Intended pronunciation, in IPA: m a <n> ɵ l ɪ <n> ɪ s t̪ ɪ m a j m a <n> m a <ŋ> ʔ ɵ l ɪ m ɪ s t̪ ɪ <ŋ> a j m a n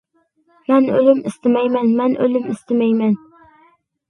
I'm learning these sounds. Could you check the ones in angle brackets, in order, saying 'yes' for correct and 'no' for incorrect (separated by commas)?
yes, no, yes, no, no